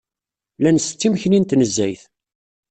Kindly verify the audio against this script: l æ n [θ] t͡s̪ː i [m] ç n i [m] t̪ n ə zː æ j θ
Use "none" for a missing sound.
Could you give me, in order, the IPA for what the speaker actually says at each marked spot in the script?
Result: s, m, n

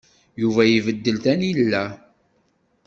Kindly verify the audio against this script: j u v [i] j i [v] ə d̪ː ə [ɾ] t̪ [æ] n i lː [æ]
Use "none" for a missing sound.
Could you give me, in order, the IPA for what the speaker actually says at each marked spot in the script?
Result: æ, v, l, æ, æ

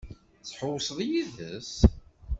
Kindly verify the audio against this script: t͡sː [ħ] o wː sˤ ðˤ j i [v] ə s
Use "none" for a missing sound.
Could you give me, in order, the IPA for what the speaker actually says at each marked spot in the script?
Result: ħ, ð

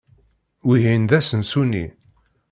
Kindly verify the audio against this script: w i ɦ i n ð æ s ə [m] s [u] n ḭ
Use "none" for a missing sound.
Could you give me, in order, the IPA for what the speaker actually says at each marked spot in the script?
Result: n, u

